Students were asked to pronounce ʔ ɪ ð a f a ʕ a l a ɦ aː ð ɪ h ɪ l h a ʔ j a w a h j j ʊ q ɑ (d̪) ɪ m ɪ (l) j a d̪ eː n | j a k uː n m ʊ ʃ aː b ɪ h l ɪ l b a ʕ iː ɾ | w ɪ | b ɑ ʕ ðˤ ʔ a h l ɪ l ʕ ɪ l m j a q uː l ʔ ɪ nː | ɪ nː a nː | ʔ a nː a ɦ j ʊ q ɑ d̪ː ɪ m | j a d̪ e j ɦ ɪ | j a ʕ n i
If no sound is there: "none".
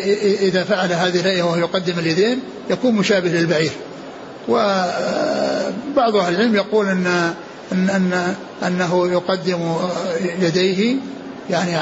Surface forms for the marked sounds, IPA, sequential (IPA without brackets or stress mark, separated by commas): d̪ː, l